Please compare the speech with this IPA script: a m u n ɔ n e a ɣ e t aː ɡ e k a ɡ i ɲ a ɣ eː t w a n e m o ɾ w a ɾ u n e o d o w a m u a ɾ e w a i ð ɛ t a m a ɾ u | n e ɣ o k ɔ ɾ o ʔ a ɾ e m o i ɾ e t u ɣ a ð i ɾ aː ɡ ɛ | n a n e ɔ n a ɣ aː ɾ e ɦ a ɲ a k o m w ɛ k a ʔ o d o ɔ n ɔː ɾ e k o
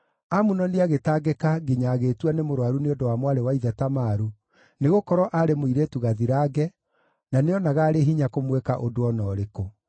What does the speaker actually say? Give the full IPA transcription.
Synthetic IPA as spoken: a m u n ɔ n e a ɣ e t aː ɡ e k a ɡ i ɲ a ɣ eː t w a n e m o ɾ w a ɾ u n e o d o w a m w a ɾ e w a i ð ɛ t a m a ɾ u | n e ɣ o k ɔ ɾ ɔ ʔ a ɾ e m o i ɾ e t u ɣ a ð i ɾ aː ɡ ɛ | n a n e ɔ n a ɣ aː ɾ e ɦ i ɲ a k o m w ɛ k a ʔ o d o ɔ n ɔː ɾ e k o